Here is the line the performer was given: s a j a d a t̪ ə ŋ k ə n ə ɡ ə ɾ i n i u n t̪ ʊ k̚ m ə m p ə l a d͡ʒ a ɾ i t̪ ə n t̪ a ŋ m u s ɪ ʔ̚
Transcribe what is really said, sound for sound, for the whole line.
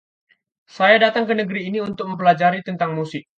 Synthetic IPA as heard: s a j a d a t̪ a ŋ k ə n ə ɡ ə ɾ iː n i u n t̪ ʊ k̚ m ə m p ə l a d͡ʒ a ɾ i t̪ ə n t̪ a ŋ m u s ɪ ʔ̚

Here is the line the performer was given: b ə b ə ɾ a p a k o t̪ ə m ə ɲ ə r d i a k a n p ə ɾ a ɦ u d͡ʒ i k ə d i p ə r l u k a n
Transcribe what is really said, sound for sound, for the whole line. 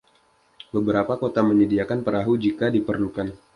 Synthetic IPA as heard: b ə b ə ɾ a p a k o t̪ a m ə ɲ ə d i a k a n p ə ɾ a ɦ u d͡ʒ i k a d i p ə r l u k a n

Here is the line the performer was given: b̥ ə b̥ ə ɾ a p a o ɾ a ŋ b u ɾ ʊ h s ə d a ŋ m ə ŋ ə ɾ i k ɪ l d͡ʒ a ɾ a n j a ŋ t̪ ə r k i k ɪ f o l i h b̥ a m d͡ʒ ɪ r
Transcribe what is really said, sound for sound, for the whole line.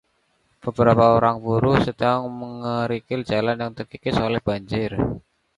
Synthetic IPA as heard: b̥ ə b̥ ə ɾ a p a o ɾ a ŋ b u ɾ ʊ h s ə d a ŋ m ə ŋ ə ɾ i k ɪ l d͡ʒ a l a n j a ŋ t̪ ə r k i k ɪ s o l ɛ h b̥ a ɲ d͡ʒ ɪ r

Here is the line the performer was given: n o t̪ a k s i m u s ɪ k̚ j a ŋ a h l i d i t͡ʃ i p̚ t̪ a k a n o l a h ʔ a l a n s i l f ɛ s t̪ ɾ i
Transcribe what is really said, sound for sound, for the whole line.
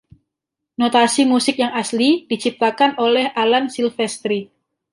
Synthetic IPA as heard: n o t̪ a s i m u s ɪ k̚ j a ŋ a s l i d i t͡ʃ i p̚ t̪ a k a n o l ɛ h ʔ a l a n s i l f ɛ s t̪ ɾ i

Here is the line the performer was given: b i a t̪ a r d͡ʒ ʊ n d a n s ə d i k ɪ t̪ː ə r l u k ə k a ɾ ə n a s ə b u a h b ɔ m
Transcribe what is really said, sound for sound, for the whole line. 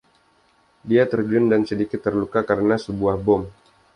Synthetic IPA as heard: d i a t̪ ə r d͡ʒ ʊ n d a n s ə d i k ɪ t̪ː ə r l u k a k a ɾ ə n a s ə b u a h b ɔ m

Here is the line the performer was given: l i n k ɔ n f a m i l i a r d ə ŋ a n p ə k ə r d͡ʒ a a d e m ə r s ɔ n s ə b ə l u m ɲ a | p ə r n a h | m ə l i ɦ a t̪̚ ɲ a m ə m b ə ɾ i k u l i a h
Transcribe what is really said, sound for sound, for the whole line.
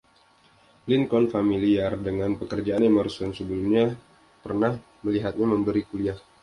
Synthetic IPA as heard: l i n k ɔ n f a m i l i a r d ə ŋ a n p ə k ə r d͡ʒ a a n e m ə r s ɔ n s ə b ə l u m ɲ a | p ə r n a h | m ə l i ɦ a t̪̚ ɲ a m ə m b ə ɾ i k u l i a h

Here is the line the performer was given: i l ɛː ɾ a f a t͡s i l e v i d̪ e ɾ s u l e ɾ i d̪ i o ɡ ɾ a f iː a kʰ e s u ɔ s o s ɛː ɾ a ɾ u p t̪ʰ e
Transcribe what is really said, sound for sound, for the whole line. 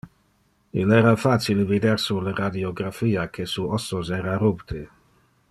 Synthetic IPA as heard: i l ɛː ɾ a f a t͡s i l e v i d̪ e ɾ s u l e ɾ a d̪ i o ɡ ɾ a f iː a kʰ e s u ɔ s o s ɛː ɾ a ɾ u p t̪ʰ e

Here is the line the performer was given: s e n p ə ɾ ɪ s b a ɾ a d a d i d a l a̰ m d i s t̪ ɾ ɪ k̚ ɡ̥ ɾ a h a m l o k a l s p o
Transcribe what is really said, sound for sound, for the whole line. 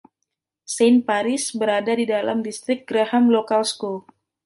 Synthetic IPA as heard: s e n p a ɾ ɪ s b ə ɾ a d a d i d a l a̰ m d i s t̪ ɾ ɪ k̚ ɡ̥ ɾ a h a m l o k a l s k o

